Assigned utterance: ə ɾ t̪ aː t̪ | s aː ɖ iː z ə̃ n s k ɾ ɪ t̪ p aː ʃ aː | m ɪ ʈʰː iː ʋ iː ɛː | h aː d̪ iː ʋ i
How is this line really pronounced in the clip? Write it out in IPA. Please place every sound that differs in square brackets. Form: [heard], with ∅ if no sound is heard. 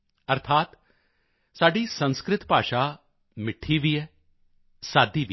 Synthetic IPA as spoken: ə ɾ [t̪ʰ] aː t̪ | s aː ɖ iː [s] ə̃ n s k ɾ ɪ t̪ p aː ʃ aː | m ɪ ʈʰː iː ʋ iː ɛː | [s] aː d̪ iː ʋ i